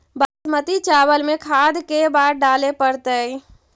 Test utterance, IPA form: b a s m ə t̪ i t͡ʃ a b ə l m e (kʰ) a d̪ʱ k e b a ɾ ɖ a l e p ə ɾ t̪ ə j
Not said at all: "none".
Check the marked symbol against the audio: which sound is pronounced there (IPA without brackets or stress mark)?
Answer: kʰ